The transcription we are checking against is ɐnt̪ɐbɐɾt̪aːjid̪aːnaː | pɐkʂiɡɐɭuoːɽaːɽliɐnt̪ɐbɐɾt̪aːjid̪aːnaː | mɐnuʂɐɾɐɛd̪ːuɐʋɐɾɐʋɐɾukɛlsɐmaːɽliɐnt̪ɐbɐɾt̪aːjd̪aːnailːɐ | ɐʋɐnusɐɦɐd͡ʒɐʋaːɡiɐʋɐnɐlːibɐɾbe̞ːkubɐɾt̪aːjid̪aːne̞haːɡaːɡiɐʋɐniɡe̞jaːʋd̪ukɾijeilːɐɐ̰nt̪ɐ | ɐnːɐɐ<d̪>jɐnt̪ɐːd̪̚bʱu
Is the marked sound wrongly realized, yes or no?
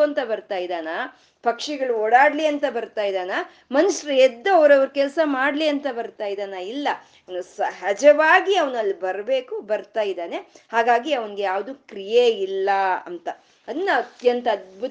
yes